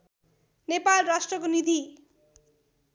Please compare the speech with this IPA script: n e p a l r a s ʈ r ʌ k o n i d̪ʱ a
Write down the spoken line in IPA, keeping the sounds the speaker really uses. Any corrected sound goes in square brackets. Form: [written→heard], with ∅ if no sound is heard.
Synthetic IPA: n e p a l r a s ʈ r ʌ k o n i d̪ʱ [a→i]